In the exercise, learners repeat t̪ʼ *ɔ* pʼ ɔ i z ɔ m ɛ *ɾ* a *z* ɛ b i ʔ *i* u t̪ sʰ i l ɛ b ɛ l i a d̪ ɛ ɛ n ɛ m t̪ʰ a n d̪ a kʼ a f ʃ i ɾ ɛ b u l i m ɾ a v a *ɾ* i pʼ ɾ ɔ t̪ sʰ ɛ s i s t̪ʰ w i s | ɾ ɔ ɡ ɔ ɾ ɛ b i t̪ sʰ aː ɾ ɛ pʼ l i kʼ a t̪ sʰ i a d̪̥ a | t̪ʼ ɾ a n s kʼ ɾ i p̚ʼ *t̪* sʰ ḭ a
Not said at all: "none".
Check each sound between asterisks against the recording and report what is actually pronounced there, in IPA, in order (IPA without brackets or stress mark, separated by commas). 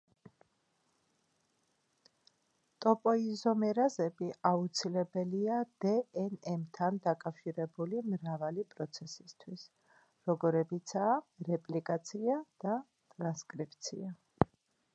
ɔ, ɾ, z, a, l, t̪